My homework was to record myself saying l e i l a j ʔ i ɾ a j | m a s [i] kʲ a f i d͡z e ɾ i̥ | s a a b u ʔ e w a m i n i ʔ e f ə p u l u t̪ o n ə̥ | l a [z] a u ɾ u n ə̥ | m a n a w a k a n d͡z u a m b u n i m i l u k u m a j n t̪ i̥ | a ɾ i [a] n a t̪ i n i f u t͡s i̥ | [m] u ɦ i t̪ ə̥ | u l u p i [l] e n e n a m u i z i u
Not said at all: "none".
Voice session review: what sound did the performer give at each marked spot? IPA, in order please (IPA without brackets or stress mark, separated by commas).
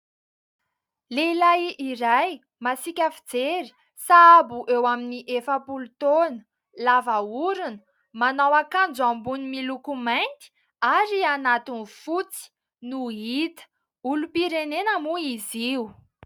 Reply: i, v, a, n, ɾ